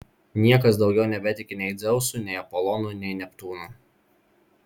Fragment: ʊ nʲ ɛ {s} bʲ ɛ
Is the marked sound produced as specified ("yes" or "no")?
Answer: no